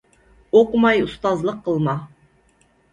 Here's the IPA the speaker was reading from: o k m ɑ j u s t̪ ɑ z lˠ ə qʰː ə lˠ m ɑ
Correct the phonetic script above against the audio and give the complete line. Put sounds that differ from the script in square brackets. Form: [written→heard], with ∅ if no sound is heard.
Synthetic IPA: o [k→q] m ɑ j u s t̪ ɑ z lˠ ə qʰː ə lˠ m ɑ